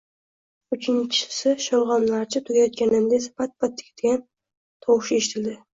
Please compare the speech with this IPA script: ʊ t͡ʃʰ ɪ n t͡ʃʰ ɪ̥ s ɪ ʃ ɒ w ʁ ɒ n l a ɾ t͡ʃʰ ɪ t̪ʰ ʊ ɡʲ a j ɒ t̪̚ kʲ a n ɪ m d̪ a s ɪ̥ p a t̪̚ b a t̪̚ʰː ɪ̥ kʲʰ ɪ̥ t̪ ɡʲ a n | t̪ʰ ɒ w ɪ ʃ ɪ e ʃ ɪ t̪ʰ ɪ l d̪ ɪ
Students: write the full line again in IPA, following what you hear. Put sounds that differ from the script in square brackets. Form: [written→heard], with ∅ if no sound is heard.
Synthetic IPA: ʊ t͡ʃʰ ɪ n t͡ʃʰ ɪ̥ s ɪ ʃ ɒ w ʁ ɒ n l a ɾ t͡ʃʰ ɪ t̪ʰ ʊ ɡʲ a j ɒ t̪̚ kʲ a n ɪ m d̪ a s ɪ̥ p a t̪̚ b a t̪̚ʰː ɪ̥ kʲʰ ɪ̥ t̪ ɡʲ a n | t̪ʰ ɒ w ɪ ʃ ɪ e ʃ ɪ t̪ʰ ɪ l d̪ ɪ